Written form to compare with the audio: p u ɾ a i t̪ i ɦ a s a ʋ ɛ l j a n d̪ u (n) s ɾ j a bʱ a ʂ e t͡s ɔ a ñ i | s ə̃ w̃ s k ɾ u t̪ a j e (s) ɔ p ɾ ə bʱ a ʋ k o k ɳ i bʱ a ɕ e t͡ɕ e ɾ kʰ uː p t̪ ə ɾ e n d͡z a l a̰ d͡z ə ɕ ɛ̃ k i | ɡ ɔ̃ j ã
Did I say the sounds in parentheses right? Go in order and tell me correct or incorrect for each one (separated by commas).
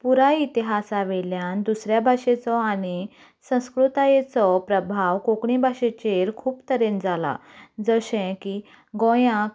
incorrect, incorrect